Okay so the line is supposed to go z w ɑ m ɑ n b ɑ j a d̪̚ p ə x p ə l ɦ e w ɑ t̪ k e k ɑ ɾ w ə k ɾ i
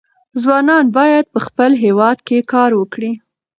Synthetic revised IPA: z w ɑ n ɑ n b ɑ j a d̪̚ p ə x p ə l ɦ e w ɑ d̪ k e k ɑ ɾ w ə k ɽ i